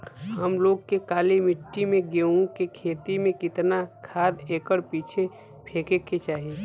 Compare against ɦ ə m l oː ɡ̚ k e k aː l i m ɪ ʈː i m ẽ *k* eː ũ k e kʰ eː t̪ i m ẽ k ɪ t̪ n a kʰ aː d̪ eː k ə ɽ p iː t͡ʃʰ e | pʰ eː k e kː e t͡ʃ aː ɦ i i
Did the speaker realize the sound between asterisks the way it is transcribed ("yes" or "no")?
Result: no